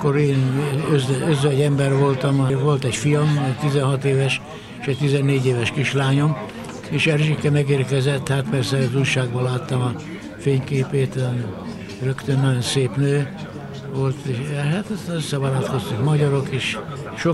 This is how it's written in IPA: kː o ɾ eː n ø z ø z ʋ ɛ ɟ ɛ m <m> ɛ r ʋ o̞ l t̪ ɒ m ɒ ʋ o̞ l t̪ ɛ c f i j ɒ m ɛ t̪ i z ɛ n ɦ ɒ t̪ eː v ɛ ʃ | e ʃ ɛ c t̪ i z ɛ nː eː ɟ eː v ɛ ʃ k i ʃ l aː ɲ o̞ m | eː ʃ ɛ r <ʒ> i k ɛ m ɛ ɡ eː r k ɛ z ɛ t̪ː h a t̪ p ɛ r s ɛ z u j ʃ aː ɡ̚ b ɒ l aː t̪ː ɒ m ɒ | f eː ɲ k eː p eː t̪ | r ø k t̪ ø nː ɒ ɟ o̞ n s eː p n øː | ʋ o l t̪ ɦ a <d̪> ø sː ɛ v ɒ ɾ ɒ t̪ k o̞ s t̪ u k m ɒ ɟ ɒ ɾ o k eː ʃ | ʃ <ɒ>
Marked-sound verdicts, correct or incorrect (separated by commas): incorrect, correct, incorrect, incorrect